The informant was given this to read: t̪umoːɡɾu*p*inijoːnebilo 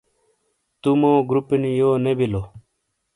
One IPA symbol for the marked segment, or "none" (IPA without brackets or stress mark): p